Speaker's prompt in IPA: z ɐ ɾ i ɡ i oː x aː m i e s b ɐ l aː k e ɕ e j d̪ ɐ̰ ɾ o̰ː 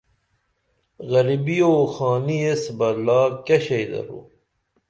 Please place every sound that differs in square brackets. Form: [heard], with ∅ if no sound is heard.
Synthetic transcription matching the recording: [ɣ] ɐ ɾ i [b] i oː x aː [n] i e s b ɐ l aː k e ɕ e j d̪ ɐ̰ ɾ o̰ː